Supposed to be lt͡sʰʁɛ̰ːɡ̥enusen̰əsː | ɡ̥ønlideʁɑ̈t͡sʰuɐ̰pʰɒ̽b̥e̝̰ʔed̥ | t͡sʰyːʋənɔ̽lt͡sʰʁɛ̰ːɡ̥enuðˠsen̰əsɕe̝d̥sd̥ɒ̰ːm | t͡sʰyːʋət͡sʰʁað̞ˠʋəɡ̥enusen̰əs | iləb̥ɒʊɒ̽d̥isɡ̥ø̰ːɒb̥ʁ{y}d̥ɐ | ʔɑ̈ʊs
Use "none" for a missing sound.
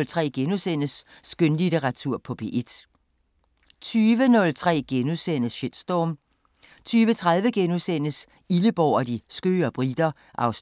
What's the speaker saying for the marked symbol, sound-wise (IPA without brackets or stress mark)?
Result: i